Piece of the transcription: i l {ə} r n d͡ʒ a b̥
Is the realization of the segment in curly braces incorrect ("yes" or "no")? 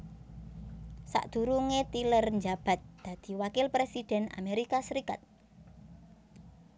no